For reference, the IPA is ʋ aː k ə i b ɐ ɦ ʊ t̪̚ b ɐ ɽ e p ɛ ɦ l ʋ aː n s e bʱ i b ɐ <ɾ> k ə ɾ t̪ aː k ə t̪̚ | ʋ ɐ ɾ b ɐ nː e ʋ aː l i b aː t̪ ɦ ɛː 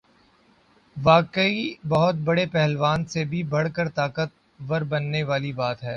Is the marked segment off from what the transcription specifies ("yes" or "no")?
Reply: yes